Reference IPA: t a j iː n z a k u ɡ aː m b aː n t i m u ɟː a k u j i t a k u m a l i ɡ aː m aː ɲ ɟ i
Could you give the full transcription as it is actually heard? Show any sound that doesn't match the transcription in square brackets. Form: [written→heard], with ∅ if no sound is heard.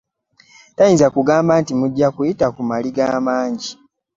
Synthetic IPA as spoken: t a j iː n z a k u ɡ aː m b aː n t i m u ɟː a k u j i t a k u m a l i ɡ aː m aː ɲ ɟ i